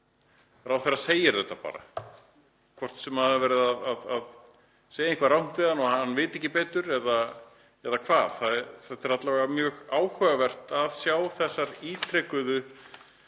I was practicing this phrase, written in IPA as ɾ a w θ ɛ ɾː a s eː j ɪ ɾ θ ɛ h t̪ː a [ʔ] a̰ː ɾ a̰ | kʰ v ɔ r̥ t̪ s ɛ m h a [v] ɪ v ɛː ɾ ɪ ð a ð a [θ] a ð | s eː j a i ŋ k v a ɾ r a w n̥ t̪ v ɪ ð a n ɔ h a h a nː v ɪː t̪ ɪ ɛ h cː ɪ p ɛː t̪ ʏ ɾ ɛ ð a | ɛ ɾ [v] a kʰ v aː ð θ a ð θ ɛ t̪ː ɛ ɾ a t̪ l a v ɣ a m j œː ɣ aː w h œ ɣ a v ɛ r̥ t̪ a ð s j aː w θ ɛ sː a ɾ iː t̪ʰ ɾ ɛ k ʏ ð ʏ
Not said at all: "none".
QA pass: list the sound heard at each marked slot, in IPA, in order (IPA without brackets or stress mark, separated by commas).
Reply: p, ð, ð, ð